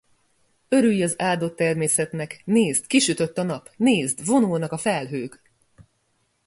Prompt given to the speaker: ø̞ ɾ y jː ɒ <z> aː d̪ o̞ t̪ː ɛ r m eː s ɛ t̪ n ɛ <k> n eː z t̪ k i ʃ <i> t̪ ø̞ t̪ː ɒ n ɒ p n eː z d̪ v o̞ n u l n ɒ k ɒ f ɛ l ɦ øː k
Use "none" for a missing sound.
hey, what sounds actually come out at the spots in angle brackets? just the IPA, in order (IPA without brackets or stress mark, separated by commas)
z, k, y